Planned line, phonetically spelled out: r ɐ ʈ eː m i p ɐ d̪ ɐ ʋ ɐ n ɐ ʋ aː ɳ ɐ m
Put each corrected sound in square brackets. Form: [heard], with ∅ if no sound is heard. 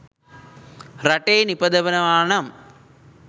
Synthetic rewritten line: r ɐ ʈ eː [n] i p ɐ d̪ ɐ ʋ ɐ n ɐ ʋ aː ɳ ɐ m